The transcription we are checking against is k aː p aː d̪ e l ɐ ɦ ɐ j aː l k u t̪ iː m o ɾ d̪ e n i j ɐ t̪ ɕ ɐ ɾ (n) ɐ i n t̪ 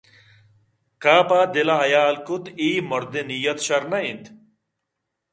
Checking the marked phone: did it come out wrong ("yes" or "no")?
no